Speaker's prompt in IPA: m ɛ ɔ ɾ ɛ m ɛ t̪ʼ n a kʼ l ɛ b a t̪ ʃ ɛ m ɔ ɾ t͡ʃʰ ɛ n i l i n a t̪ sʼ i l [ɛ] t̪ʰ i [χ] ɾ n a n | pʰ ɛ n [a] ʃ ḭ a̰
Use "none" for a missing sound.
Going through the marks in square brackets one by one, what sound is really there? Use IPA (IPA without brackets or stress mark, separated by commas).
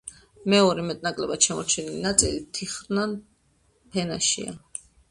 i, χ, a